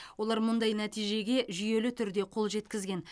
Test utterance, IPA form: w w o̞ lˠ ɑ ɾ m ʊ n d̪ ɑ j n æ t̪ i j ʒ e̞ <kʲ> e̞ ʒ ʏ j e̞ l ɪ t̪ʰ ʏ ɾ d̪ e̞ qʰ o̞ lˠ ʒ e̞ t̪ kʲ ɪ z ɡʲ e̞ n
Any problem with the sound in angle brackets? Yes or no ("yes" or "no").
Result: yes